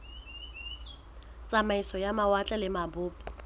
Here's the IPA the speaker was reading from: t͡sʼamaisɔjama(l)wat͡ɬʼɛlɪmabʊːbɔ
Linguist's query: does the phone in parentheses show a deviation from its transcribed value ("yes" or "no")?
yes